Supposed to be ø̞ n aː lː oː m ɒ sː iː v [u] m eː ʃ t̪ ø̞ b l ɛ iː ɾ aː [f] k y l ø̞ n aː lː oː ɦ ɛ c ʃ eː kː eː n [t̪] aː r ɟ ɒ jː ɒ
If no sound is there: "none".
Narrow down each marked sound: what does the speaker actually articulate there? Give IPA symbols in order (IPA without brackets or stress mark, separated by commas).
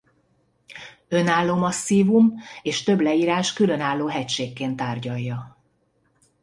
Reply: u, ʃ, t̪